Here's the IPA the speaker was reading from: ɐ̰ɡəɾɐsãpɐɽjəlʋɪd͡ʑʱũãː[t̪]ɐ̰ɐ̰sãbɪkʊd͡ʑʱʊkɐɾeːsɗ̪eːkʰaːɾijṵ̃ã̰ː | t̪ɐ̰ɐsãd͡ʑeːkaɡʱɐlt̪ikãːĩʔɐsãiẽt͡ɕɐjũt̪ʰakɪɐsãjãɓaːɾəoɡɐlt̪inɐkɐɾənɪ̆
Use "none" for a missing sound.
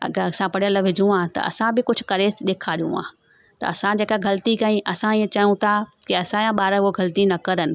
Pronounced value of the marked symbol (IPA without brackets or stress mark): t̪